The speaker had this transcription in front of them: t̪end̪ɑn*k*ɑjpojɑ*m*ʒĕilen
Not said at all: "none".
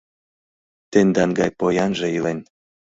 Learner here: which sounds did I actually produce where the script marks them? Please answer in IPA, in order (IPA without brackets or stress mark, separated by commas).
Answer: ɡ, n